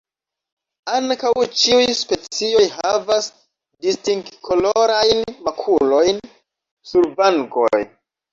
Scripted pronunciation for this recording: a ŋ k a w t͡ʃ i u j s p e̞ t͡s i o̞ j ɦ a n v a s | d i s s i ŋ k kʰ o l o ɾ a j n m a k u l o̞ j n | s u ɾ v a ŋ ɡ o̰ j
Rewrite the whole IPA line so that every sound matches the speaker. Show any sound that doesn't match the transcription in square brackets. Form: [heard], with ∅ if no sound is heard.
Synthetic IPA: a ŋ k a w t͡ʃ i u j s p e̞ t͡s i o̞ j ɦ a [∅] v a s | d i s [t] i ŋ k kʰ o l o ɾ a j n m a [kʰ] u l o̞ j n | s u ɾ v a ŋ ɡ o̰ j